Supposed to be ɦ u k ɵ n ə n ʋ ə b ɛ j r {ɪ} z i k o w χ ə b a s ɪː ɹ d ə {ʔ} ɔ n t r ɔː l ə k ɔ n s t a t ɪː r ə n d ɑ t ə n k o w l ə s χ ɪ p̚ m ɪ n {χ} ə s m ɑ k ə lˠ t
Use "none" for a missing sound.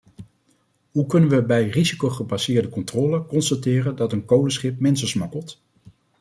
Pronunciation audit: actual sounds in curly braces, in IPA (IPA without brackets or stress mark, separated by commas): i, k, s